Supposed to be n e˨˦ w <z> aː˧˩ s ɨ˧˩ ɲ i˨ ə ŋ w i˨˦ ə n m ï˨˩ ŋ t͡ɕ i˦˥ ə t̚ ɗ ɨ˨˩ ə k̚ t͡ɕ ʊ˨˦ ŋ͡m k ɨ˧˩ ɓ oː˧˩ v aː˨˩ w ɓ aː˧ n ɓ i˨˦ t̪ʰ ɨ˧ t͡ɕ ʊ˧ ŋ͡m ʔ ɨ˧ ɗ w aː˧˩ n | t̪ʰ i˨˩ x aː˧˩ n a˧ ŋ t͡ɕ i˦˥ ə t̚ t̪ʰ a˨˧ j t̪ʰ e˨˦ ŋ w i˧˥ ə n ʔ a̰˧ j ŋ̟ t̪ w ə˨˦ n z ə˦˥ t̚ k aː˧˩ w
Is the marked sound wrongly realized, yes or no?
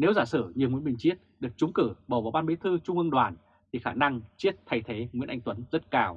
no